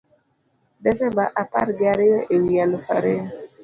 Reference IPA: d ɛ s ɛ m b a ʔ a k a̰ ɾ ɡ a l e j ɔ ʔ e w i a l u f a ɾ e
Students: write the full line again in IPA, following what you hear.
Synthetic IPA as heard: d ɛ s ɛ m b a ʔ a p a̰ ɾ ɡ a ɾ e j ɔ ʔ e w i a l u f a ɾ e